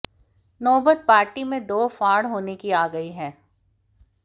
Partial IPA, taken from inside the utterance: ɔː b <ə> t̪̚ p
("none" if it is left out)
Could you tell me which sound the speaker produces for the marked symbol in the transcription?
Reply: ə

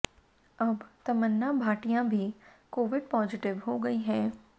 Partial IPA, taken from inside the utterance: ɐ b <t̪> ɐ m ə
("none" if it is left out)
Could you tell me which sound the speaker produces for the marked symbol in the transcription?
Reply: t̪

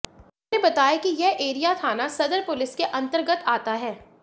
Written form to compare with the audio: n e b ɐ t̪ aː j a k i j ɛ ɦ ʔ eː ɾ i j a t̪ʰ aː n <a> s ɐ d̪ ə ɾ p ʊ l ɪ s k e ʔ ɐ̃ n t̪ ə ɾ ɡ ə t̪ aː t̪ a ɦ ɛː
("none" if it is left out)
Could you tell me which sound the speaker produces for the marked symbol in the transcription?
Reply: a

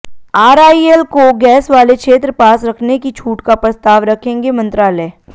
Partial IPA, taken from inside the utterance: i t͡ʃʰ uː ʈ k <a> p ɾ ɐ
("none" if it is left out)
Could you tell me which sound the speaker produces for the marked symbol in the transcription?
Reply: a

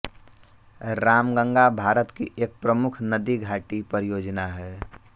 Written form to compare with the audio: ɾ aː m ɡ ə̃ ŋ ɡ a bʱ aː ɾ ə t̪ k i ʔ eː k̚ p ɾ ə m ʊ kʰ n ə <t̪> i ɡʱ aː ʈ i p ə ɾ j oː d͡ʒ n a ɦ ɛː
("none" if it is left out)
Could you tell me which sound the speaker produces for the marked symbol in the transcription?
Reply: d̪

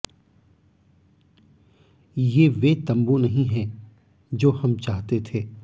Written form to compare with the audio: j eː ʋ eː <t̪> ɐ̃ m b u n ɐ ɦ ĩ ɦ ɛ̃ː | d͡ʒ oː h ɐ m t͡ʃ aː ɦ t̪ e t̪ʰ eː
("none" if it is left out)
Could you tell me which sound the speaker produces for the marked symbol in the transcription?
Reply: t̪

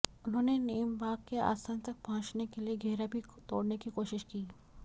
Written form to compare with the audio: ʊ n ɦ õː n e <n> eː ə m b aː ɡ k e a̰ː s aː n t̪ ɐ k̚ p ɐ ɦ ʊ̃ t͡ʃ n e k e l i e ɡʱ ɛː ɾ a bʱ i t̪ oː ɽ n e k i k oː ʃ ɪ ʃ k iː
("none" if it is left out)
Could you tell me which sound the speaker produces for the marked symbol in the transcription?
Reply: n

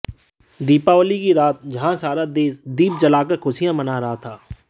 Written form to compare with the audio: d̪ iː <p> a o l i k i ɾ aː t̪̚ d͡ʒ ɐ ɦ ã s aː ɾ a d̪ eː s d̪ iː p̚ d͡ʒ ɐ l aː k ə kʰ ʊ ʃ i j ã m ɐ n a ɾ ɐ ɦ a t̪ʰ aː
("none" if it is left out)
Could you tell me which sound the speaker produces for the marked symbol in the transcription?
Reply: p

